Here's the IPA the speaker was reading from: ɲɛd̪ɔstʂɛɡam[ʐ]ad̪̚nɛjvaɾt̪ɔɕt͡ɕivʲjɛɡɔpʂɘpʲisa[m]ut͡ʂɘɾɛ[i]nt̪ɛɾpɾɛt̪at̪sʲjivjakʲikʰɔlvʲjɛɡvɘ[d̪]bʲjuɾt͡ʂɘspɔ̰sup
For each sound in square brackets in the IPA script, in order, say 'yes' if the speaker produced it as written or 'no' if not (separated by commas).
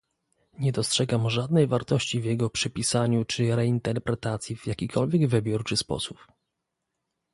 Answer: yes, no, yes, no